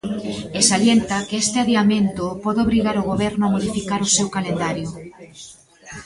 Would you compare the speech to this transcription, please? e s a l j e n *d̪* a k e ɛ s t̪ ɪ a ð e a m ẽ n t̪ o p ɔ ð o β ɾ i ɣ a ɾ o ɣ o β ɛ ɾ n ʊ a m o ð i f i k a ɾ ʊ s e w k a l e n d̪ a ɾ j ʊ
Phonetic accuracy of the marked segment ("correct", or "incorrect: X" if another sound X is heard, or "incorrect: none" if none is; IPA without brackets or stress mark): incorrect: t̪